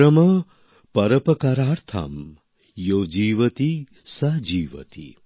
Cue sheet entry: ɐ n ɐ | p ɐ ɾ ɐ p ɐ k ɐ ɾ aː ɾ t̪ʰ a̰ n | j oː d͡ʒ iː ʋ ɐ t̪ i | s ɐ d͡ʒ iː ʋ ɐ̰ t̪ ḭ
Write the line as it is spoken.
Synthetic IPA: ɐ m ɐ | p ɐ ɾ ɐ p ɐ k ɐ ɾ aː ɾ t̪ʰ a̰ m | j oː d͡ʒ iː ʋ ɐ t̪ i | s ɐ d͡ʒ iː ʋ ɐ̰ t̪ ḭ